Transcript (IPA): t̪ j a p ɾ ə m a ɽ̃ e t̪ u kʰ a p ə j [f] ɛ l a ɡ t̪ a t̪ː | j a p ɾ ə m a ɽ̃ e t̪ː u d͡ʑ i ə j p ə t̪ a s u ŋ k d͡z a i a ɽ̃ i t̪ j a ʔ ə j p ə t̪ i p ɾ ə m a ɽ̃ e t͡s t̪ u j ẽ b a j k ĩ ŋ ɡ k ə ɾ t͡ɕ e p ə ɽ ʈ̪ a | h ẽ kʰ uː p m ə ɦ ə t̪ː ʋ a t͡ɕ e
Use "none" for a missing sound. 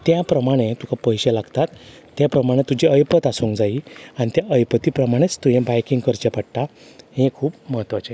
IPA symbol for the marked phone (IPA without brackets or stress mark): ɕ